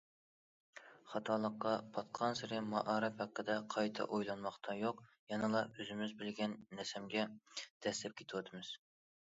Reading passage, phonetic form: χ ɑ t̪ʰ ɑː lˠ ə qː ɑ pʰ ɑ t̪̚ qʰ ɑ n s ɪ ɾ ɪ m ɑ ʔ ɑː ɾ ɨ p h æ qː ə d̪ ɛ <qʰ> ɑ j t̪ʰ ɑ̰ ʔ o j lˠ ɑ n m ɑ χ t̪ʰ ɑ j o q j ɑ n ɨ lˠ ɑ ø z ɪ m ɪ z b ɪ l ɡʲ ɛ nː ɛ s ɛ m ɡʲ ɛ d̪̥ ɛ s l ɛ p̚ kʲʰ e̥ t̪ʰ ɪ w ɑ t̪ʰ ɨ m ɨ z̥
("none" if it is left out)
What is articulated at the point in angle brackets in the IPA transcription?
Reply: qʰ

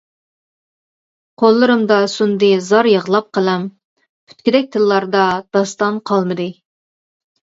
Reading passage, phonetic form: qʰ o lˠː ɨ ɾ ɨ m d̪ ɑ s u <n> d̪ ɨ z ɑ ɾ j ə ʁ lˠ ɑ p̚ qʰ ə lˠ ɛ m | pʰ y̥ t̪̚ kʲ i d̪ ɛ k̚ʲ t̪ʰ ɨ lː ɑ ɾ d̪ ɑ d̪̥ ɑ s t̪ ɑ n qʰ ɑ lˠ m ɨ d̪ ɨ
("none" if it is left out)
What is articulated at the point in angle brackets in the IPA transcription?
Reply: n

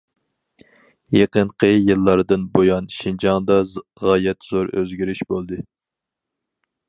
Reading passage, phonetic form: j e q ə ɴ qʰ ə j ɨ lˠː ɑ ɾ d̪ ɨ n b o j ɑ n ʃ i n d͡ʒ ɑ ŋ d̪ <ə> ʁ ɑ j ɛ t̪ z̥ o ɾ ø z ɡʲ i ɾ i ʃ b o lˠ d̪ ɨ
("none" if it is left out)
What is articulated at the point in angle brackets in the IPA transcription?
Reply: ɑ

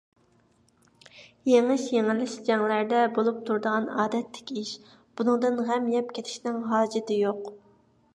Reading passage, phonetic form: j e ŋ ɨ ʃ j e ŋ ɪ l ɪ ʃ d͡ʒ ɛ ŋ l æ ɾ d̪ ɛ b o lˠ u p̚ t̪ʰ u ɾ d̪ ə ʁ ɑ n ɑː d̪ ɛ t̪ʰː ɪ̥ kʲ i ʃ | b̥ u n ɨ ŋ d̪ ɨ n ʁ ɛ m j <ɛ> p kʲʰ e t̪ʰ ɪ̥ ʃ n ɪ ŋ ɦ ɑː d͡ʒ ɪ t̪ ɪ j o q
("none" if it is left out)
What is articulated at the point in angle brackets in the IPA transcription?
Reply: ɛ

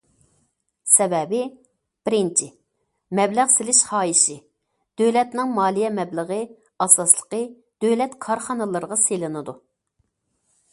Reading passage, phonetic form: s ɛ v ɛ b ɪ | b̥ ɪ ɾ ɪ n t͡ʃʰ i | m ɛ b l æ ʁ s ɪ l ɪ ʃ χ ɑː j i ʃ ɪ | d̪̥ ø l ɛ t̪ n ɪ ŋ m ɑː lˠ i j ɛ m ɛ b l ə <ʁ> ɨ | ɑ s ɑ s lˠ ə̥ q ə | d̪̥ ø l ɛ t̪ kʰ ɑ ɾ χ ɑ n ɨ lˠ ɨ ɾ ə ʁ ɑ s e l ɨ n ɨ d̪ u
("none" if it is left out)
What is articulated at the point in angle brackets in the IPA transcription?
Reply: ʁ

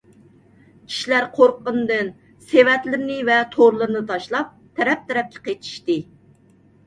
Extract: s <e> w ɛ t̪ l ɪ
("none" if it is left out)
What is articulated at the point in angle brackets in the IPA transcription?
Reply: e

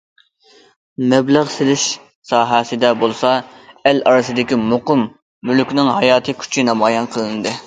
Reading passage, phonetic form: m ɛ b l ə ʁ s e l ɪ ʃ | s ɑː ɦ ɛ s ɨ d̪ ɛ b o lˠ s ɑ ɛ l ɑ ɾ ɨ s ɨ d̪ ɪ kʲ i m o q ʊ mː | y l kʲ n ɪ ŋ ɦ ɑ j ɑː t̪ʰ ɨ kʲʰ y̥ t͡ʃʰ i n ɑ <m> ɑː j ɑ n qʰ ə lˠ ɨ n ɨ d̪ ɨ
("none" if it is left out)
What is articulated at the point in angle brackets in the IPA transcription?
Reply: m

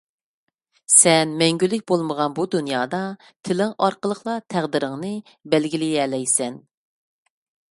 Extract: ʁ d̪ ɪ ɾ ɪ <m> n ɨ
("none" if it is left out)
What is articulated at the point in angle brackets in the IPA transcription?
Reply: ŋ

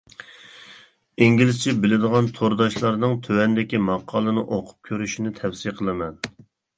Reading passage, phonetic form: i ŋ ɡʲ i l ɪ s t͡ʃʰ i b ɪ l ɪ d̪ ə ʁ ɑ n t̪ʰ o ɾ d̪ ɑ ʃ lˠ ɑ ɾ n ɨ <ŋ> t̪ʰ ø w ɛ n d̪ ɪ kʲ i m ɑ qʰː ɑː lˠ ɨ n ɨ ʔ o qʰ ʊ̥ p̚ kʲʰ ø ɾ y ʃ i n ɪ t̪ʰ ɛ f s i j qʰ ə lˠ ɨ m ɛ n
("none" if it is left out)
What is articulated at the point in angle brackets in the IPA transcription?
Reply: ŋ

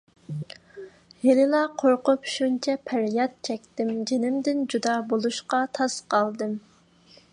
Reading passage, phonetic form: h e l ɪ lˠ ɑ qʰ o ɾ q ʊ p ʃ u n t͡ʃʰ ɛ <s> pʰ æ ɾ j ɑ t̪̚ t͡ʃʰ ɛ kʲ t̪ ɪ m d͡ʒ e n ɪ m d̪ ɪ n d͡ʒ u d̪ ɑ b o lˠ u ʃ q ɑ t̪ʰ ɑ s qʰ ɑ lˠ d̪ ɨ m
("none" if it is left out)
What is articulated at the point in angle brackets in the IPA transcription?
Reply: none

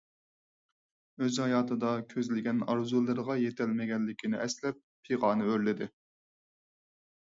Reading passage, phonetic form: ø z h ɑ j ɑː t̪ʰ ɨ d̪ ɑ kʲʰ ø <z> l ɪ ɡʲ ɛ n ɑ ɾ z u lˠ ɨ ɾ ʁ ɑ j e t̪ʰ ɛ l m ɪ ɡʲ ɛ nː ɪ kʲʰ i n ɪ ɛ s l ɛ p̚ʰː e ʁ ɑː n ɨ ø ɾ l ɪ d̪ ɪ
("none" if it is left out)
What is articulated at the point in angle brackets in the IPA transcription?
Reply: z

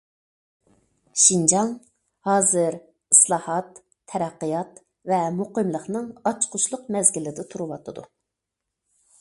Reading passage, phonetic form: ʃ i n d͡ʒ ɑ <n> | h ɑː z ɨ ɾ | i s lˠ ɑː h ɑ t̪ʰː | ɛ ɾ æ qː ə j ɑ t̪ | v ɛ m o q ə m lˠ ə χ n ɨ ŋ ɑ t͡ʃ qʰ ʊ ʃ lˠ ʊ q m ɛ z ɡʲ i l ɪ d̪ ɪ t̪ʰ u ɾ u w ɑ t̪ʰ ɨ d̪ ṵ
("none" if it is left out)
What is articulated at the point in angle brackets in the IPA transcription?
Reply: ŋ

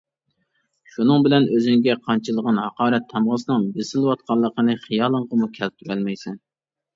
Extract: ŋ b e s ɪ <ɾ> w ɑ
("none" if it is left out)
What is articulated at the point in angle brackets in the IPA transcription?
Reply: l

